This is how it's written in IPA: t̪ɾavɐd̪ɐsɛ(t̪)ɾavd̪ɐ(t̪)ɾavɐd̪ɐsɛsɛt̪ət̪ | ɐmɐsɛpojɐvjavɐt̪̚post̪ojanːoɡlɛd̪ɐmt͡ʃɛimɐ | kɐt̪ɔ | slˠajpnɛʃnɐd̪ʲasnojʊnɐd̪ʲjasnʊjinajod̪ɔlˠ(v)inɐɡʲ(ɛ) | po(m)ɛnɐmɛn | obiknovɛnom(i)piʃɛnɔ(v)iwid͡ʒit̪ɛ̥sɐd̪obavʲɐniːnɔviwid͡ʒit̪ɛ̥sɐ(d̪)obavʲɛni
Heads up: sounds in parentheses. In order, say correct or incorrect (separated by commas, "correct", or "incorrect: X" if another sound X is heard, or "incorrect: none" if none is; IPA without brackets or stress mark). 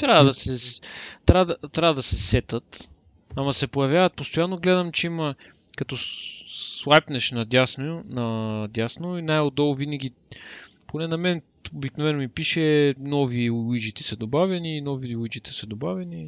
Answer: correct, correct, correct, incorrect: i, incorrect: n, correct, correct, correct